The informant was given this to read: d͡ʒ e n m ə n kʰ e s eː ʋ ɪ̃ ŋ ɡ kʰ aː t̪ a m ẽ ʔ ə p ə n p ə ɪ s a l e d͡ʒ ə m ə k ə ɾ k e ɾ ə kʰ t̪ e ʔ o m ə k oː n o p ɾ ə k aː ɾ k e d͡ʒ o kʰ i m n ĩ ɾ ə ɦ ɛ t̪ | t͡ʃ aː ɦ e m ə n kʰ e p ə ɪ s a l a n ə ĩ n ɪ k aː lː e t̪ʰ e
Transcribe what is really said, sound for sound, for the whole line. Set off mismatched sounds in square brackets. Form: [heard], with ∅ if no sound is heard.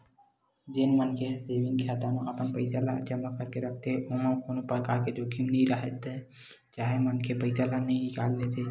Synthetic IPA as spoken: d͡ʒ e n m ə n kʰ e s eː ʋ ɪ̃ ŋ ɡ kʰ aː t̪ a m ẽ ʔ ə p ə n p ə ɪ s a l [a] d͡ʒ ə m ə k ə ɾ k e ɾ ə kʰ t̪ e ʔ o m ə k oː n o p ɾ ə k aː ɾ k e d͡ʒ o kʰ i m n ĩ ɾ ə ɦ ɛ t̪ | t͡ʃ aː ɦ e m ə n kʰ e p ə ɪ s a l a n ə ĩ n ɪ k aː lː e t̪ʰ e